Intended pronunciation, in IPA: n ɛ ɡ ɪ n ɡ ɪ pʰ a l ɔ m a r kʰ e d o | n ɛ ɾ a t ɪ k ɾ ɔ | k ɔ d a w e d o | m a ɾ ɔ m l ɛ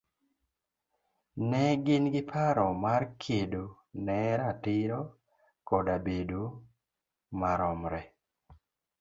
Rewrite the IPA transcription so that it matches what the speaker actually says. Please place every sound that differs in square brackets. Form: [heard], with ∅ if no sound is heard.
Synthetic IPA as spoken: n ɛ ɡ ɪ n ɡ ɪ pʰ a [ɾ] ɔ m a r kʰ e d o | n ɛ ɾ a t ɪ [∅] ɾ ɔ | k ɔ d a [b] e d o | m a ɾ ɔ m [ɾ] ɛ